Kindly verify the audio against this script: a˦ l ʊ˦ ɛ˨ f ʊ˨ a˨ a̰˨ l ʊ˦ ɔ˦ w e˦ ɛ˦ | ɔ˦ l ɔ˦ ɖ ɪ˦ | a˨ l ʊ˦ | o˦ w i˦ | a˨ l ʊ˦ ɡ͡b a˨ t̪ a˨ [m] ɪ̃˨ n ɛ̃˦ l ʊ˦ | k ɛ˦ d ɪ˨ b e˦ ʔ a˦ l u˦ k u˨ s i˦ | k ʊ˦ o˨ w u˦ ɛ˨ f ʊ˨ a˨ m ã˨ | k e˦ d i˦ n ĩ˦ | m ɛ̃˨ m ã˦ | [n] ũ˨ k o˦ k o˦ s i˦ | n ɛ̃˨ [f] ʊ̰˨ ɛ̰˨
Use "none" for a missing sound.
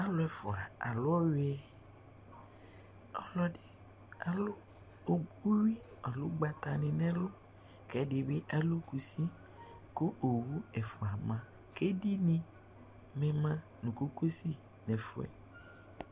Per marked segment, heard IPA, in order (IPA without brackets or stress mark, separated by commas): n, n, f